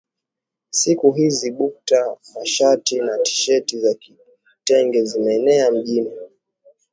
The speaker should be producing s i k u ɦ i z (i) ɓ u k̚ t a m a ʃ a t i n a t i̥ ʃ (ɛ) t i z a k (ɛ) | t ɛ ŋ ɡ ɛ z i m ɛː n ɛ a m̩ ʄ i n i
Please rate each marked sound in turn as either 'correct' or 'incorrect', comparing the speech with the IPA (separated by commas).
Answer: correct, correct, incorrect